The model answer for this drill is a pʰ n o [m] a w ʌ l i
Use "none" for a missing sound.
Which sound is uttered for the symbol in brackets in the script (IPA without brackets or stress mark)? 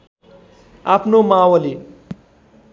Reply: m